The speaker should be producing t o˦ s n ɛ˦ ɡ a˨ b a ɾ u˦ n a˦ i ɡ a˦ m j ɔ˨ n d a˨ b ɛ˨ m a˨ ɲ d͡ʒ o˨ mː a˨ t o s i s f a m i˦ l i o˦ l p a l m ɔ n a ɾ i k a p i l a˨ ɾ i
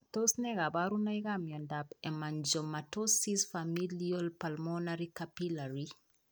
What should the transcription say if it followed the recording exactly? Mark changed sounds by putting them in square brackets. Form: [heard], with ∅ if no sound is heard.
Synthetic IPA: t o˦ s n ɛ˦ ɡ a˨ b a ɾ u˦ n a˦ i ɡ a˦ m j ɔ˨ n d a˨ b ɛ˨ m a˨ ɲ d͡ʒ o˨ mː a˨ t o s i s f a m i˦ l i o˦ l p a l m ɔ n a ɾ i k a p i l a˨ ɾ i